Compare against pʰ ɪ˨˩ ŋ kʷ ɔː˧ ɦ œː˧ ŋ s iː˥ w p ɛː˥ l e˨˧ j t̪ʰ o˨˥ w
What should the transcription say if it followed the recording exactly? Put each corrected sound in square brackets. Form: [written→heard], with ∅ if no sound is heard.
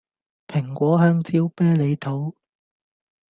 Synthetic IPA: pʰ ɪ˨˩ ŋ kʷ [ɔː˧→ɔː˨˥] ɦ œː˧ ŋ [s→t͡s] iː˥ w p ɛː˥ l e˨˧ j t̪ʰ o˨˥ w